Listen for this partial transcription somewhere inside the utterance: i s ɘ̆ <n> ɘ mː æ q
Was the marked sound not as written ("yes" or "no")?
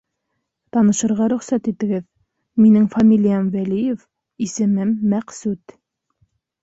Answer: yes